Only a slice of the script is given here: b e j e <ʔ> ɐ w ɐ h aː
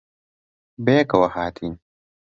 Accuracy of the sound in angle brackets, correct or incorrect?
incorrect